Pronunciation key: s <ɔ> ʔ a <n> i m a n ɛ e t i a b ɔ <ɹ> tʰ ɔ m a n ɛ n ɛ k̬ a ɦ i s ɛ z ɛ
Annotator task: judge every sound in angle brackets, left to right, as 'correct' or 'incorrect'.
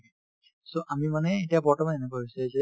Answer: incorrect, incorrect, correct

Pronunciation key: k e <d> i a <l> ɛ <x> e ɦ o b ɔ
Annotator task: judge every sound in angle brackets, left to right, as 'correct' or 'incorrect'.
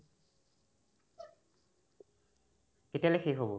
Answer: incorrect, correct, correct

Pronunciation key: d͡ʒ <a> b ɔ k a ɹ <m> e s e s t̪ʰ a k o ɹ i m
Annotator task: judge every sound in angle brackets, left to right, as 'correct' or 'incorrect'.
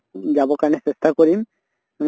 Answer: correct, incorrect

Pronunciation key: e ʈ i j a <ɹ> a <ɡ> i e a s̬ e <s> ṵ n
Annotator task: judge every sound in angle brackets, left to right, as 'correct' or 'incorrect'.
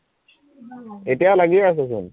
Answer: incorrect, correct, correct

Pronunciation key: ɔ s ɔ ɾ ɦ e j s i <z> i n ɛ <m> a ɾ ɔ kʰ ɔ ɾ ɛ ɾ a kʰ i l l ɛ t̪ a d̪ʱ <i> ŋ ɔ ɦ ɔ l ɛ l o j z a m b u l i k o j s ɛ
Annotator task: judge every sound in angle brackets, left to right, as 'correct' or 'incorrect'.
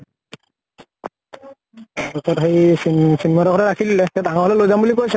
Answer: incorrect, correct, incorrect

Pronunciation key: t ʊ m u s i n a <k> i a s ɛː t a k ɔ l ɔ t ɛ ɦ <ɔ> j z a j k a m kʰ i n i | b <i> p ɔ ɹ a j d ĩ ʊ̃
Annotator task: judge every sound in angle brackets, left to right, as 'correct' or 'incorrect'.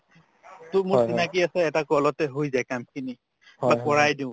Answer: correct, incorrect, incorrect

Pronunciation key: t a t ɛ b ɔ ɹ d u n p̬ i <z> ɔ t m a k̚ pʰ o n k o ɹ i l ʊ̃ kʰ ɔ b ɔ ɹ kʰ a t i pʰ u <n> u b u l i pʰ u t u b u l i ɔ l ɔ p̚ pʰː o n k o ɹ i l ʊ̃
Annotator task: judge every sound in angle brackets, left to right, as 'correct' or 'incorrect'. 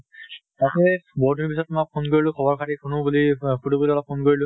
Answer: incorrect, correct

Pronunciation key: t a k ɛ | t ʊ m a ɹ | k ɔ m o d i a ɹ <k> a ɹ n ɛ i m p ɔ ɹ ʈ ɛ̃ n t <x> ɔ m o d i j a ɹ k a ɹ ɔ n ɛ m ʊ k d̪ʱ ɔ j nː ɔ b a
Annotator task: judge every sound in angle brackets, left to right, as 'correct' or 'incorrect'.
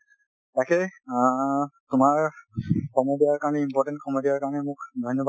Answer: correct, incorrect

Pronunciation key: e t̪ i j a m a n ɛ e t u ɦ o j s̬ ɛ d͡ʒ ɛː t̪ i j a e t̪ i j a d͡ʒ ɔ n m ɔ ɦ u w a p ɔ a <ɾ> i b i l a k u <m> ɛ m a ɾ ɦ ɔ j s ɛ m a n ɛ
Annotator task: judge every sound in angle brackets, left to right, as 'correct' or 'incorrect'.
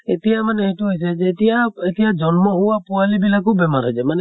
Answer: incorrect, incorrect

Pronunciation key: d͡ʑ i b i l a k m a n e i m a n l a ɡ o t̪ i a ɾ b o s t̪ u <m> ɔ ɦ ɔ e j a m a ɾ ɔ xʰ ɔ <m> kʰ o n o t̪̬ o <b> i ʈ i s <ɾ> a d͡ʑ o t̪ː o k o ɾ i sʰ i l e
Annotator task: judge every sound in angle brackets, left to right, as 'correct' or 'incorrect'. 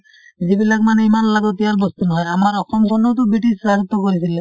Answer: incorrect, correct, correct, correct

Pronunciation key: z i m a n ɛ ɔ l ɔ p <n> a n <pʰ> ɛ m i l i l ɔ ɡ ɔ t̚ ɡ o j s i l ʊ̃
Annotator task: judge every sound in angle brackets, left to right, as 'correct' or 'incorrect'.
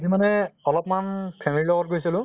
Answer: incorrect, correct

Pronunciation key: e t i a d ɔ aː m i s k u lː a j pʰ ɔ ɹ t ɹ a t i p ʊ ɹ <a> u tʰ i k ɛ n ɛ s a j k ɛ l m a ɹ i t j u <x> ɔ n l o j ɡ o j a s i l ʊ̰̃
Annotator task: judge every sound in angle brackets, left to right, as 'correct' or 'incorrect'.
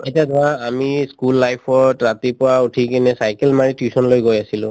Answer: correct, incorrect

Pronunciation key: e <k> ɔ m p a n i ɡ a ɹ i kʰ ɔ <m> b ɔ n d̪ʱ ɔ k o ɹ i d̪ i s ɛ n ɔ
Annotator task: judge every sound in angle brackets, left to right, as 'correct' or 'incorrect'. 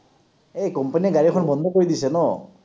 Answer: correct, incorrect

